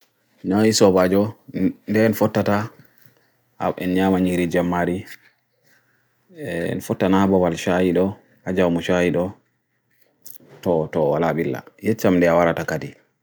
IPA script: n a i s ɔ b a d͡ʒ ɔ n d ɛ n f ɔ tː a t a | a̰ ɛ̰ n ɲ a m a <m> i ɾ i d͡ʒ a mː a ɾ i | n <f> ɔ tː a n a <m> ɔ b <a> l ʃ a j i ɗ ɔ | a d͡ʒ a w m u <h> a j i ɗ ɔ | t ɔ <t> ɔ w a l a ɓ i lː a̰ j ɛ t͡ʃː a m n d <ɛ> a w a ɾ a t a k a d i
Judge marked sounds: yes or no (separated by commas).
no, yes, no, yes, no, yes, yes